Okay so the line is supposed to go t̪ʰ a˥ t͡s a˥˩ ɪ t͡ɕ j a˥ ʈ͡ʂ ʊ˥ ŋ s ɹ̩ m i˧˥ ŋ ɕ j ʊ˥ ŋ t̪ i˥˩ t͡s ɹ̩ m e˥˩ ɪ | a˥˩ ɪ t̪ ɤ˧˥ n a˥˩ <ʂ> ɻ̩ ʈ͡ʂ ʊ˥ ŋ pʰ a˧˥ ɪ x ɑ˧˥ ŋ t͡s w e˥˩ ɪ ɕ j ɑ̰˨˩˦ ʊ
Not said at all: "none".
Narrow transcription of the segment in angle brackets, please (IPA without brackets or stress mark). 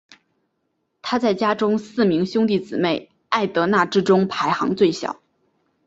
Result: ʈ͡ʂ